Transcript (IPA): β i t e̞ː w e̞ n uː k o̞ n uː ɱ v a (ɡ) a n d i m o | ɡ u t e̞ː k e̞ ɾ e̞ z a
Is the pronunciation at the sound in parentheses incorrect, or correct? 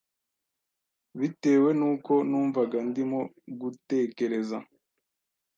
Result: correct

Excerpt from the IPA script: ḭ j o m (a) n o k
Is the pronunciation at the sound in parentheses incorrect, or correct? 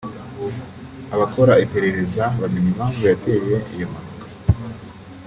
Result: correct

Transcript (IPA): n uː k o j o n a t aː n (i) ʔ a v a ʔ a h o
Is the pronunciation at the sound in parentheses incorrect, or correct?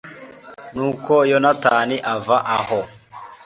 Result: correct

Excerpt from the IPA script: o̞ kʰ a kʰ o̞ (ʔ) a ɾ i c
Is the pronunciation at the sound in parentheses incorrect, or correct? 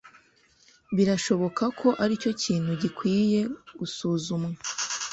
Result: correct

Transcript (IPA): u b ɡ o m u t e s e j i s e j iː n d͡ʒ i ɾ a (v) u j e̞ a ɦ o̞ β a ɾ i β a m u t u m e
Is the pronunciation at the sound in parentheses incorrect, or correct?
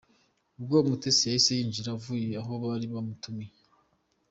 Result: correct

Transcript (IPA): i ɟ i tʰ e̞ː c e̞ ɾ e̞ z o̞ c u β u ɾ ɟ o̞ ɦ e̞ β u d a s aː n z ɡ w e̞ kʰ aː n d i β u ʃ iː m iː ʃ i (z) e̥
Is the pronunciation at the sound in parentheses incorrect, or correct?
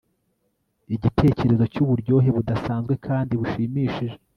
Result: incorrect: ʒ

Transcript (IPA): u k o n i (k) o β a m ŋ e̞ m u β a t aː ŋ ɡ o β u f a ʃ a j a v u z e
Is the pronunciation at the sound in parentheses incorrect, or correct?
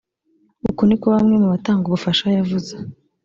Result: correct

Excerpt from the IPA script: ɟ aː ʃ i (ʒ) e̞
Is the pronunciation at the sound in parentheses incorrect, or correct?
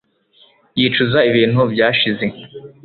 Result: incorrect: z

